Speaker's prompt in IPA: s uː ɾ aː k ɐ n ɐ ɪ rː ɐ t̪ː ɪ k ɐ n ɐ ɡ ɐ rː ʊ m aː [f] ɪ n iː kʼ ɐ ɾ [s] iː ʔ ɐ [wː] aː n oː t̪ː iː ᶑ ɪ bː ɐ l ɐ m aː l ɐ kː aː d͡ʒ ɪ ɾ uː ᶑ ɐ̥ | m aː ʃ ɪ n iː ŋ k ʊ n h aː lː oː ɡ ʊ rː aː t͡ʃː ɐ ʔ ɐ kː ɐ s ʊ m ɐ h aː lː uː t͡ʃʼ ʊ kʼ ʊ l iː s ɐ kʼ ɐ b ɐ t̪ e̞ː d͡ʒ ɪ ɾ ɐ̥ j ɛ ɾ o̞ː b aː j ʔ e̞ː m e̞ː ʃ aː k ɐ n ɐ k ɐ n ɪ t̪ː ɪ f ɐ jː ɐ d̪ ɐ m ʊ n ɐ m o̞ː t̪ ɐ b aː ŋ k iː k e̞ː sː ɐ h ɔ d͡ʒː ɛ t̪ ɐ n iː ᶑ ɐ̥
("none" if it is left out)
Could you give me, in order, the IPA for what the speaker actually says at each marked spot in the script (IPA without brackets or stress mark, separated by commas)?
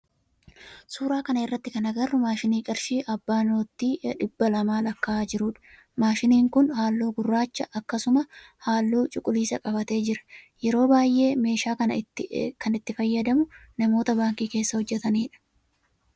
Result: ʃ, ʃ, bː